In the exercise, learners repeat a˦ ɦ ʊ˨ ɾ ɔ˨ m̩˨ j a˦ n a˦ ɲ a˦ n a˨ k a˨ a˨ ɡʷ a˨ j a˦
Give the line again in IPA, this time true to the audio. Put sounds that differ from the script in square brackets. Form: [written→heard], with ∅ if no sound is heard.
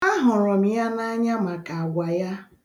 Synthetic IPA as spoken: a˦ ɦ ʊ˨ ɾ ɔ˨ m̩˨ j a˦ n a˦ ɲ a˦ [n→m] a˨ k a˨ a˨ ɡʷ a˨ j a˦